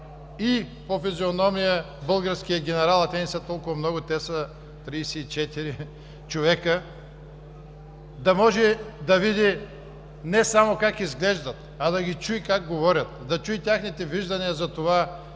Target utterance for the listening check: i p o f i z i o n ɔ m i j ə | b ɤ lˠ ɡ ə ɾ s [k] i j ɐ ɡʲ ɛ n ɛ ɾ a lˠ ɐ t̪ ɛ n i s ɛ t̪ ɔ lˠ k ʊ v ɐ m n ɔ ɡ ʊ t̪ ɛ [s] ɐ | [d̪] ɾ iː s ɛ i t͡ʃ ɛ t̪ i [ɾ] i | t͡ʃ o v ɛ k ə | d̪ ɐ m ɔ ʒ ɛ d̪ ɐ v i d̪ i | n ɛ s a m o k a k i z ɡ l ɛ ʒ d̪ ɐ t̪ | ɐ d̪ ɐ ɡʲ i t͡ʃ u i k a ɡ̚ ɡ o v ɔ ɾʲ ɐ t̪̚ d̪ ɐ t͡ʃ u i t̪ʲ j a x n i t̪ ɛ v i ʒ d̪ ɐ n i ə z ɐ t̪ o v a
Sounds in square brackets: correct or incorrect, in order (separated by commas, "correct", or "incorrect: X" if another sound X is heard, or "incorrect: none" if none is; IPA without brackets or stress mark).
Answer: correct, correct, incorrect: t̪, correct